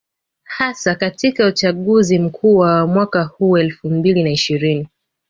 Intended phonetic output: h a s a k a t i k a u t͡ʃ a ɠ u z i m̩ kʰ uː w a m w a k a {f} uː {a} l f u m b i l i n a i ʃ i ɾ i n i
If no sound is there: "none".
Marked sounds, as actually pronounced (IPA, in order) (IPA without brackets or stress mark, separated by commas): h, ɛ